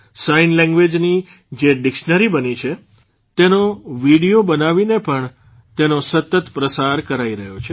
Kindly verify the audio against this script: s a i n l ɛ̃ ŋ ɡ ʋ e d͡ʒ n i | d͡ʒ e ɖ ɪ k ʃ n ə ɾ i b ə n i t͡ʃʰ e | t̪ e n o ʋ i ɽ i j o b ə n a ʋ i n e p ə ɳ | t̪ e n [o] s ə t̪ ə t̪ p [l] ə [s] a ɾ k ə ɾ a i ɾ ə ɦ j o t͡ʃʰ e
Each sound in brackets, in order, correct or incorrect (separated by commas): correct, incorrect, correct